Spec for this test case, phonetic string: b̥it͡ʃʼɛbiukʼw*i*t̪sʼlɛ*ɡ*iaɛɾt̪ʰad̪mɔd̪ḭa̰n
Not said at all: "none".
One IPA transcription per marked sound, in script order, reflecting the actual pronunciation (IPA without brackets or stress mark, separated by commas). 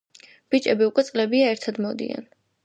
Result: ɛ, b